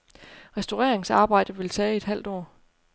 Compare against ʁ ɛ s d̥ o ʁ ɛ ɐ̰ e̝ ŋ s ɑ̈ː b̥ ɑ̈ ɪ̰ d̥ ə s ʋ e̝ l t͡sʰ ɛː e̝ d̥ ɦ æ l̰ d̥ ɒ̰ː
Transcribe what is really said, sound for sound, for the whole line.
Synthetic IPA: ʁ ɛ s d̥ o ʁ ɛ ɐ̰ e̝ ŋ s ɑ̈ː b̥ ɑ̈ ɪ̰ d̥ ə ʋ e̝ l t͡sʰ ɛː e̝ d̥ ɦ æ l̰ d̥ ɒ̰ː